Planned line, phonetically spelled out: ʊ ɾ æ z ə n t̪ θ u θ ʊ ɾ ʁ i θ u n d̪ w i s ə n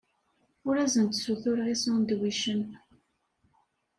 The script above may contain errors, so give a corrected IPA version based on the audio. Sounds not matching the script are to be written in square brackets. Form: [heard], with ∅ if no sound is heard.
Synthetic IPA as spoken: ʊ ɾ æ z ə n t̪ [s] u θ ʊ ɾ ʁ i [s] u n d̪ w i [ʃ] ə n